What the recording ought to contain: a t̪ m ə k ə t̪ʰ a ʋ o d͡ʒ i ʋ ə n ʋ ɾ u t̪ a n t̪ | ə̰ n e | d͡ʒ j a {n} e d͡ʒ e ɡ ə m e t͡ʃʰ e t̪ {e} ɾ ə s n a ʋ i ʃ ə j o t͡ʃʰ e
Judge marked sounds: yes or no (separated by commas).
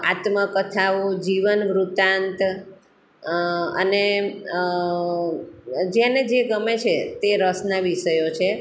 yes, yes